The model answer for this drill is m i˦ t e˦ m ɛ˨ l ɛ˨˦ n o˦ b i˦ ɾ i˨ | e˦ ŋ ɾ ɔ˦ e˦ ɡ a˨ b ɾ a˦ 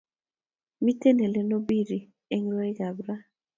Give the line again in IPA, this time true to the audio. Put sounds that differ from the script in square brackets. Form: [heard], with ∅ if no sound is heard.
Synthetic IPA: m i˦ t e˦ [n] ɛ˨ l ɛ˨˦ n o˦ b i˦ ɾ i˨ | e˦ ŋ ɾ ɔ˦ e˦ ɡ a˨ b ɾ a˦